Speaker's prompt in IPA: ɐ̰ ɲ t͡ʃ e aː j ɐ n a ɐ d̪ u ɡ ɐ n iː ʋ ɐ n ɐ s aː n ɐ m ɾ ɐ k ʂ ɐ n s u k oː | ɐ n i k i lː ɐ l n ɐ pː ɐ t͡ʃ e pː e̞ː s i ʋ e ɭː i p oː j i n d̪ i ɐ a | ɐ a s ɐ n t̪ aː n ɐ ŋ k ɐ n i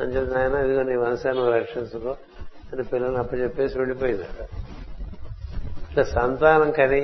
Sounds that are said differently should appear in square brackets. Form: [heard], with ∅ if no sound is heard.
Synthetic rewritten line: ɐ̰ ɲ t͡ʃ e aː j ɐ n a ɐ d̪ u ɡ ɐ n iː ʋ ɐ n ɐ s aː n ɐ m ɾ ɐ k ʂ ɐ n s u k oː | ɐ n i [p] i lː ɐ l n ɐ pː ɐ t͡ʃ e pː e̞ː s i ʋ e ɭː i p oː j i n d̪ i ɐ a | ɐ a s ɐ n t̪ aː n ɐ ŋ k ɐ n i